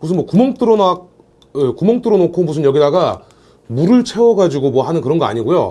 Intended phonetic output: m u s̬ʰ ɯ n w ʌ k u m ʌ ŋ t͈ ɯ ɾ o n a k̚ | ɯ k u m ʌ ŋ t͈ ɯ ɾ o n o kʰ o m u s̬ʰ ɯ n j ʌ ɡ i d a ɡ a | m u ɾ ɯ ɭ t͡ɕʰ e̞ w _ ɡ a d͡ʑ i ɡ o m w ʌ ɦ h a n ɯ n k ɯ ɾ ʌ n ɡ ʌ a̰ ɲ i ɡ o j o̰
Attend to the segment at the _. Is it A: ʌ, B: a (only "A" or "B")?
A